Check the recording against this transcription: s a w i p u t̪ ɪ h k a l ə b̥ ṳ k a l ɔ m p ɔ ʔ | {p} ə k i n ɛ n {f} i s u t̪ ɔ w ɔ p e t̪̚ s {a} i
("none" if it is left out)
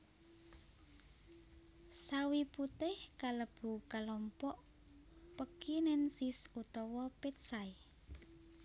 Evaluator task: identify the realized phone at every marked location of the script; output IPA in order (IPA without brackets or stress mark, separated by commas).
p, s, a